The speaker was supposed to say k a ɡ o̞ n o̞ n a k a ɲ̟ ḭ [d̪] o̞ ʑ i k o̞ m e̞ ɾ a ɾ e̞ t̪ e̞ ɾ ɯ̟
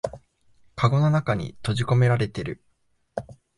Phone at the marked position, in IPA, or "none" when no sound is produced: t̪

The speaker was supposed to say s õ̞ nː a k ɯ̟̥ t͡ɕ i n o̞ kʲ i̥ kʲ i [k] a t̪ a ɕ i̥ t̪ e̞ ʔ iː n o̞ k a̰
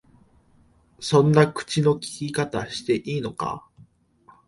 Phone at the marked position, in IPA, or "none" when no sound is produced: k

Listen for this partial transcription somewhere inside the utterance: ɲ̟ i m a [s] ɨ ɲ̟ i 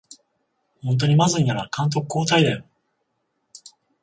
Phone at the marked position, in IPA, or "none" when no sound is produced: z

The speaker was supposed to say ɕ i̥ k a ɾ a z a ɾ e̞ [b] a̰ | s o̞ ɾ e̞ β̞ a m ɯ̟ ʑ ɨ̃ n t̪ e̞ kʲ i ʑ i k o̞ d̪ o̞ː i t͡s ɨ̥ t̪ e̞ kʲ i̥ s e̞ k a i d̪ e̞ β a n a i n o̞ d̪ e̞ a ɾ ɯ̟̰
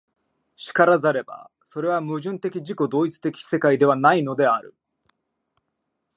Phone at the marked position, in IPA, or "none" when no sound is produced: b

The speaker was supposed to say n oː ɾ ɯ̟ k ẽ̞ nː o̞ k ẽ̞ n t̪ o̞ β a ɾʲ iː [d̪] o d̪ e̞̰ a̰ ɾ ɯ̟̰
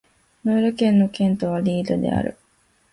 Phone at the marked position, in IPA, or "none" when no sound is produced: d̪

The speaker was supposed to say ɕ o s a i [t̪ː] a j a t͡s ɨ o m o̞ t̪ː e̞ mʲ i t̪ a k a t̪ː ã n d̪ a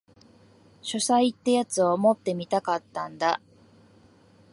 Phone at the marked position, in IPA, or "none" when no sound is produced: t̪ː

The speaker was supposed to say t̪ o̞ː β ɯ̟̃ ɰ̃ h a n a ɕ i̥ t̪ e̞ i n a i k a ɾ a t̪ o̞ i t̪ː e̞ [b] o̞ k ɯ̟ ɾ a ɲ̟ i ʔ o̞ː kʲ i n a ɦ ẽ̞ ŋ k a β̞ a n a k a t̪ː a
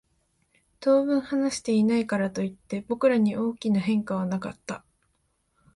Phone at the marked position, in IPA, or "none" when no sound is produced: b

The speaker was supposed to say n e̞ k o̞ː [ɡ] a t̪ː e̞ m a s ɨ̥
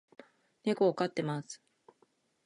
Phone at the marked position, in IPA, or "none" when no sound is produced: k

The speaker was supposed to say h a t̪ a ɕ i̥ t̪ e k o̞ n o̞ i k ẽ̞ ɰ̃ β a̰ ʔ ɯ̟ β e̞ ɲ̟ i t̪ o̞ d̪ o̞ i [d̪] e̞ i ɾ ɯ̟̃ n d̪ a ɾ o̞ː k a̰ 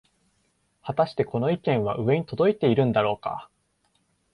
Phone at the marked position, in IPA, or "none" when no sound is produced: t̪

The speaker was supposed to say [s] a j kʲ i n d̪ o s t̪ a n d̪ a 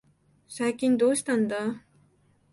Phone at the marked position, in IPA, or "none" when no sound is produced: s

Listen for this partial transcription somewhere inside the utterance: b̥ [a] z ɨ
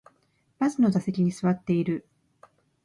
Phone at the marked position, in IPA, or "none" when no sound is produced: a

